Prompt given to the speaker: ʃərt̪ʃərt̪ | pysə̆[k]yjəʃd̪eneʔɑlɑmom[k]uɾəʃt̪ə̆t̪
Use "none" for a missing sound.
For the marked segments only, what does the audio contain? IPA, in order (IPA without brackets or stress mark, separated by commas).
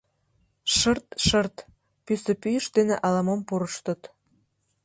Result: p, p